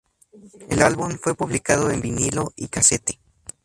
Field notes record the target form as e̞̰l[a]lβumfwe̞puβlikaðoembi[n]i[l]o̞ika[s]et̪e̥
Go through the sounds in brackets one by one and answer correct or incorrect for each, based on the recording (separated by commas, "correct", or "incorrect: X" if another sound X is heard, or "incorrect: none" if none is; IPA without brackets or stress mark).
correct, correct, correct, correct